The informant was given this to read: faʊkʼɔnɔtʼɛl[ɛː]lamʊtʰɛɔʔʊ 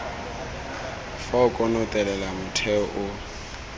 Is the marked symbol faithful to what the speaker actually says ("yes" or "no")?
no